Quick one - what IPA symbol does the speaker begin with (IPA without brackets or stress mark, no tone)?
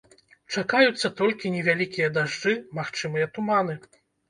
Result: t͡ʂ